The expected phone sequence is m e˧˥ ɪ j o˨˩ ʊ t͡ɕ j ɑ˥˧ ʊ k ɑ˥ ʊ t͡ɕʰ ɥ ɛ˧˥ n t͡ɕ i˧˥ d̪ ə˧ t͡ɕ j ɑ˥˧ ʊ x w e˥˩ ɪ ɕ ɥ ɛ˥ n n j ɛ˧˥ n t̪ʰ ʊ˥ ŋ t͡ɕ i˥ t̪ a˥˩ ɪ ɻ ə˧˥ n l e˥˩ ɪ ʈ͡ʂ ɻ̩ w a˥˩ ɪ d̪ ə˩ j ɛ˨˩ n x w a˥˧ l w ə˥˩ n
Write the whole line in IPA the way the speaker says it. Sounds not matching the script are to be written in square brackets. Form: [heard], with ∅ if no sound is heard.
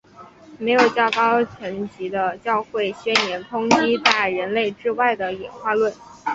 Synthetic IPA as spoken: m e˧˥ ɪ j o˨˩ ʊ t͡ɕ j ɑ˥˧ ʊ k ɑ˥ ʊ t͡ɕʰ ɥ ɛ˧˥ n t͡ɕ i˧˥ d̪ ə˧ t͡ɕ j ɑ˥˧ ʊ x w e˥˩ ɪ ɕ ɥ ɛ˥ n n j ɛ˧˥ n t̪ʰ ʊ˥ ŋ t͡ɕ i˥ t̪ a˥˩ ɪ ɻ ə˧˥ n l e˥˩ ɪ ʈ͡ʂ ɻ̩ w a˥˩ ɪ d̪ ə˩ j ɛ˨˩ n x w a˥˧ l w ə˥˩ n